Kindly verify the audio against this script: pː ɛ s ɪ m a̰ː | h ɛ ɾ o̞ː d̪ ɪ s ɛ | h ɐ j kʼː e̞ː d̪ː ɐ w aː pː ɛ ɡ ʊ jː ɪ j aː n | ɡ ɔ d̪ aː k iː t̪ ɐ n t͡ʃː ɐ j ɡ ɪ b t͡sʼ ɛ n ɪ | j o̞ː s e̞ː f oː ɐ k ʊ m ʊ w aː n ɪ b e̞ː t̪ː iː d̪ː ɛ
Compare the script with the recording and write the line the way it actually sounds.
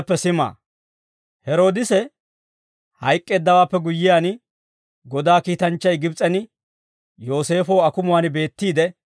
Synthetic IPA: pː ɛ s ɪ m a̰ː | h ɛ ɾ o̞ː d̪ ɪ s ɛ | h ɐ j kʼː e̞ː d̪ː ɐ w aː pː ɛ ɡ ʊ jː ɪ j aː n | ɡ ɔ d̪ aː k iː t̪ ɐ n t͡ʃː ɐ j ɡ ɪ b t͡sʼ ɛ n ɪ | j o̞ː s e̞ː f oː ɐ k ʊ m ʊ w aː n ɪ b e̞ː t̪ː iː d̪ ɛ